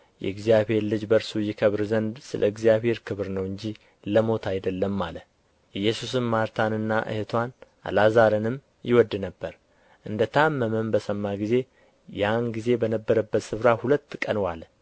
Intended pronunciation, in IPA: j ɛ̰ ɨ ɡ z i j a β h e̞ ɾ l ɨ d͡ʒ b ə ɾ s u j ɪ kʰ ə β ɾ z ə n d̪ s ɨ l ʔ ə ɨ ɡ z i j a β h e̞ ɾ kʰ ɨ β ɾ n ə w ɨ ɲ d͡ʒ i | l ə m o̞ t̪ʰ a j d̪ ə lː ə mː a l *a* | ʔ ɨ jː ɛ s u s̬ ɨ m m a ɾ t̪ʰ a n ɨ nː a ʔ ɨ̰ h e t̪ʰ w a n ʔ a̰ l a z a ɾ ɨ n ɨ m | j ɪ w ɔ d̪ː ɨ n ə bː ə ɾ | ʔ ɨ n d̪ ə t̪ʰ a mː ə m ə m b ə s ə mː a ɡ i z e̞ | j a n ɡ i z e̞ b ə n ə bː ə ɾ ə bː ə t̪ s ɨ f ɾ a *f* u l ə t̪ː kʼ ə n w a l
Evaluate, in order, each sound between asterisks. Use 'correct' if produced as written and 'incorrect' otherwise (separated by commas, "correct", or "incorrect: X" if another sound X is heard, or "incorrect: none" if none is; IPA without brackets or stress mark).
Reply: incorrect: ə, incorrect: h